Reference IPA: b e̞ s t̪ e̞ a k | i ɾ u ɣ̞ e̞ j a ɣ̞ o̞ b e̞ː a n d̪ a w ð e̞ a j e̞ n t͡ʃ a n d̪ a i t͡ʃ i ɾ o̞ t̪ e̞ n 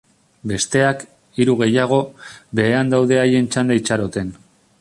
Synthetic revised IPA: b e̞ s t̪ e̞ a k | i ɾ u ɣ̞ e̞ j a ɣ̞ o̞ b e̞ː a n d̪ a w ð e̞ a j e̞ n t͡ʃ a n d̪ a i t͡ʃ a ɾ o̞ t̪ e̞ n

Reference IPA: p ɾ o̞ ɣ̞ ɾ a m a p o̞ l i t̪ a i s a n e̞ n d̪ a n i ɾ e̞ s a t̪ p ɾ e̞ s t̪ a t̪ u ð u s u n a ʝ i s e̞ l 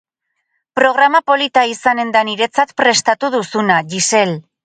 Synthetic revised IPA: p ɾ o̞ ɣ̞ ɾ a m a p o̞ l i t̪ a i s a n e̞ n d̪ a n i ɾ e̞ t͡s a t̪ p ɾ e̞ s t̪ a t̪ u ð u s u n a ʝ i s e̞ l

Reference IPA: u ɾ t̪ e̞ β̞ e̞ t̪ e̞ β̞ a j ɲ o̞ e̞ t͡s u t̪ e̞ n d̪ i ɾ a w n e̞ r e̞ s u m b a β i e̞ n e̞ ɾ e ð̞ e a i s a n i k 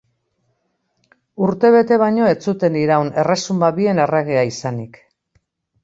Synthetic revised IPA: u ɾ t̪ e̞ β̞ e̞ t̪ e̞ β̞ a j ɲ o̞ e̞ t͡s u t̪ e̞ n d̪ i ɾ a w n e̞ r e̞ s u m b a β i e̞ n e̞ r e ɣ̞ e a i s a n i k

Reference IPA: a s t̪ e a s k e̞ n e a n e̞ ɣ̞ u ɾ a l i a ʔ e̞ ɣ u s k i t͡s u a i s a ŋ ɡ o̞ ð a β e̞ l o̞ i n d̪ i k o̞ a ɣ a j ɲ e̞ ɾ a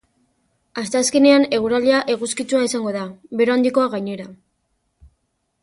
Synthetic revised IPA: a s t̪ e a s k e̞ n e a n e̞ ɣ̞ u ɾ a l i a ʔ e̞ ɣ u s k i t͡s u a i s a ŋ ɡ o̞ ð a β e̞ ɾ o̞ a n d̪ i k o̞ a ɣ a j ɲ e̞ ɾ a

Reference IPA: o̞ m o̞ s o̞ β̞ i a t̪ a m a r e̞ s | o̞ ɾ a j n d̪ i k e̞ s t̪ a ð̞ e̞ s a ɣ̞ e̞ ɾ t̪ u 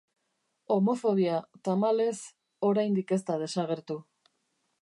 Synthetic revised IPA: o̞ m o̞ f o̞ β̞ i a t̪ a m a l e̞ s | o̞ ɾ a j n d̪ i k e̞ s t̪ a ð̞ e̞ s a ɣ̞ e̞ ɾ t̪ u

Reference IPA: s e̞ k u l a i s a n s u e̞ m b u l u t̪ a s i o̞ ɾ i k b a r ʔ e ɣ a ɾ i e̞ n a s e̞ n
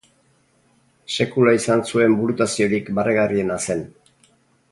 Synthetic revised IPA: s e̞ k u l a i s a n s u e̞ m b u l u t̪ a s i o̞ ɾ i k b a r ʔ e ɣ a r i e̞ n a s e̞ n

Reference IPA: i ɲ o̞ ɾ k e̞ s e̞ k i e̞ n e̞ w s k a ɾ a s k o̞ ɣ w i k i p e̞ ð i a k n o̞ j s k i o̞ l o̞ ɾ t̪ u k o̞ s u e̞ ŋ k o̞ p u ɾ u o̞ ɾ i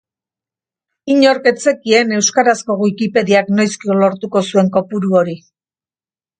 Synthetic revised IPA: i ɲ o̞ ɾ k e̞ t͡s e̞ k i e̞ n e̞ w s k a ɾ a s k o̞ ɣ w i k i p e̞ ð i a k n o̞ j s k i o̞ l o̞ ɾ t̪ u k o̞ s u e̞ ŋ k o̞ p u ɾ u o̞ ɾ i

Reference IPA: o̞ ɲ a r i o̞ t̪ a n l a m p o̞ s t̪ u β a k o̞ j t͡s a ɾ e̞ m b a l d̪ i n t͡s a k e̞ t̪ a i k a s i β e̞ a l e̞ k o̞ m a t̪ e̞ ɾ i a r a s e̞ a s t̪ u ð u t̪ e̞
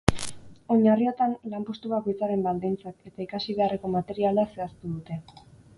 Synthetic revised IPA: o̞ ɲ a r i o̞ t̪ a n l a m p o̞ s t̪ u β a k o̞ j t͡s a ɾ e̞ m b a l d̪ i n t͡s a k e̞ t̪ a i k a s i β e̞ a r e̞ k o̞ m a t̪ e̞ ɾ i a l a s e̞ a s t̪ u ð u t̪ e̞

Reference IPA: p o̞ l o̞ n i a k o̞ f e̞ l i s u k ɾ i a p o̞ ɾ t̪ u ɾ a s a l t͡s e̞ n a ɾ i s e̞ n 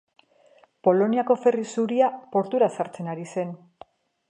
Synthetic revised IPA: p o̞ l o̞ n i a k o̞ f e̞ r i s u ɾ i a p o̞ ɾ t̪ u ɾ a s a ɾ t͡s e̞ n a ɾ i s e̞ n

